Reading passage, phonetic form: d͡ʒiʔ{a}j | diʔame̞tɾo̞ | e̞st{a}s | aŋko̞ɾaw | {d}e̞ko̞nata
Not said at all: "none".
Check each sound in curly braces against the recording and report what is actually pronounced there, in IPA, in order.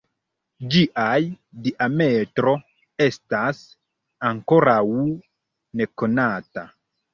a, a, n

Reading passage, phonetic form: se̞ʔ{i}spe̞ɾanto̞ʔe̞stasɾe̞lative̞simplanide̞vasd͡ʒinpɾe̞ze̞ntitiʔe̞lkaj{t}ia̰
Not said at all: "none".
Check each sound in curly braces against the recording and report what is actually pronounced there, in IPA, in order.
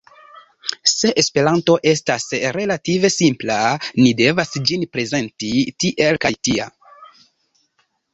e, t

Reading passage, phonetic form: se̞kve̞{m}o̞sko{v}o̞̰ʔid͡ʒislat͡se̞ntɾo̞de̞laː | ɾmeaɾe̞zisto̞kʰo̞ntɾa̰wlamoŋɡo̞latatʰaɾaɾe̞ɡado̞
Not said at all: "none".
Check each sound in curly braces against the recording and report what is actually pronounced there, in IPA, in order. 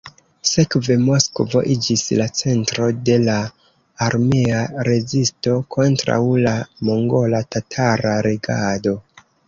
m, v

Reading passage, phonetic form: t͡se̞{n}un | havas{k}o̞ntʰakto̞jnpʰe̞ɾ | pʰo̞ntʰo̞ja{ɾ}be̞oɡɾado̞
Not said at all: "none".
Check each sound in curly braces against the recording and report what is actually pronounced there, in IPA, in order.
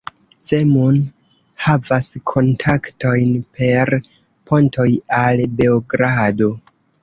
m, kʰ, l

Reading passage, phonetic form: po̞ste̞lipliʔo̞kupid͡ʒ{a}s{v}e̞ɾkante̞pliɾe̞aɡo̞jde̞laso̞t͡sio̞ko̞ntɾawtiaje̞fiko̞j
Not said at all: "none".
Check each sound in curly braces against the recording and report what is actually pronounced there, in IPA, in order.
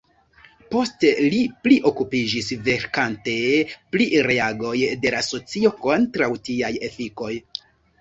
i, v

